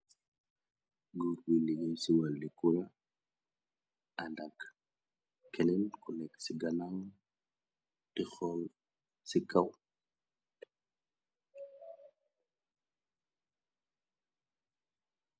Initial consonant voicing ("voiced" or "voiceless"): voiced